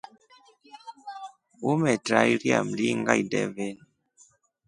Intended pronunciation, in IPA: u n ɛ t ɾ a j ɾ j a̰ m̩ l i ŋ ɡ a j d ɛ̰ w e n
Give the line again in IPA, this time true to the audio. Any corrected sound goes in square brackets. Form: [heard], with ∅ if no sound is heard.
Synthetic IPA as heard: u [m] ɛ t ɾ a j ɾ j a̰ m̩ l i ŋ ɡ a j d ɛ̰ [v] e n